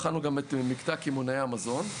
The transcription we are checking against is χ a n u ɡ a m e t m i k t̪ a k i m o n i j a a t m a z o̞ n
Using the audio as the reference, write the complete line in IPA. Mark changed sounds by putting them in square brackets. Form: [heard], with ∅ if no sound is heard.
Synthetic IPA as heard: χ a n u ɡ a m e t m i k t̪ a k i m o n [a] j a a [∅] m a z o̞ n